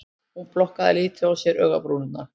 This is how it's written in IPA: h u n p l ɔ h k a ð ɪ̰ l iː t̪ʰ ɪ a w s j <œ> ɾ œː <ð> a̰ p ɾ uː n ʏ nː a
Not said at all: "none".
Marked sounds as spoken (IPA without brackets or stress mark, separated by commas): ɛ, ɣ